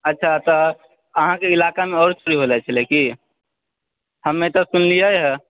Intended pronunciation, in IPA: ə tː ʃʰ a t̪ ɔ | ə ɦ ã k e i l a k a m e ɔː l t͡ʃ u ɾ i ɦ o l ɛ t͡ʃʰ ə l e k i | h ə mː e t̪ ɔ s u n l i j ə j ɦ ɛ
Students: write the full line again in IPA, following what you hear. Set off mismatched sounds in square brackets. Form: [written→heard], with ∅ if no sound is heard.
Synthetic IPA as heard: ə tː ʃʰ a t̪ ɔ | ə ɦ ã k e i l a k a m e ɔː [l→ɾ] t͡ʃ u ɾ i ɦ o l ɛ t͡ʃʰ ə l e k i | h ə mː e t̪ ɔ s u n l i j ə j ɦ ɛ